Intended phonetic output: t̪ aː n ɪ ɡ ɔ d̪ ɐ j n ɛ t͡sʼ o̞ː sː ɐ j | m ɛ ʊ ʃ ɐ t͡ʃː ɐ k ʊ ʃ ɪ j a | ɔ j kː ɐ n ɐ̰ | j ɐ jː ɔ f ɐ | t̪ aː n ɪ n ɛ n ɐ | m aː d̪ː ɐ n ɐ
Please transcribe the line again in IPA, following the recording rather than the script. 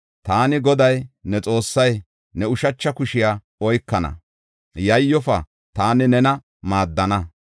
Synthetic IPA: t̪ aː n ɪ ɡ ɔ d̪ ɐ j n ɛ t͡sʼ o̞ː sː ɐ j | n ɛ ʊ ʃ ɐ t͡ʃː ɐ k ʊ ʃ ɪ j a | ɔ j kː ɐ n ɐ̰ | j ɐ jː ɔ f ɐ | t̪ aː n ɪ n ɛ n ɐ | m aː d̪ː ɐ n ɐ